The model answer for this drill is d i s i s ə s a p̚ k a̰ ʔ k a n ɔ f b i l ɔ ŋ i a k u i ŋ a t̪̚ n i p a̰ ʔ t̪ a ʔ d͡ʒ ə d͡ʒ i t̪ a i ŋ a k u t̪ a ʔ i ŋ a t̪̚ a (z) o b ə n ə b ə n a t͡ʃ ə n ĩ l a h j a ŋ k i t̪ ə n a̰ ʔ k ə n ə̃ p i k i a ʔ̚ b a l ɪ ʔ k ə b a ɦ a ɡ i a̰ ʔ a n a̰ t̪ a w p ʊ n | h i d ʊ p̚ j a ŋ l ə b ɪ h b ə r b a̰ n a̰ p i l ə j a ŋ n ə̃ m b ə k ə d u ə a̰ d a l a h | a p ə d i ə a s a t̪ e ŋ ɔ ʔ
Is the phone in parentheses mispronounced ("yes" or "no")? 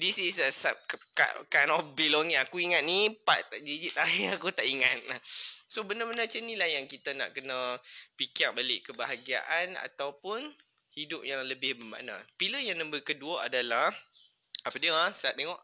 yes